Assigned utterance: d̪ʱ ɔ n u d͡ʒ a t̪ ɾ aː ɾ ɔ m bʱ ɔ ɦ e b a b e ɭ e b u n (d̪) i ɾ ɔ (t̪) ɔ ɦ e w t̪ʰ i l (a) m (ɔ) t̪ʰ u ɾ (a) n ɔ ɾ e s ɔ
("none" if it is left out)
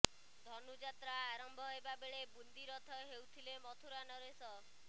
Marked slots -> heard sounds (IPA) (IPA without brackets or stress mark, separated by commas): d̪, t̪ʰ, e, ɔ, a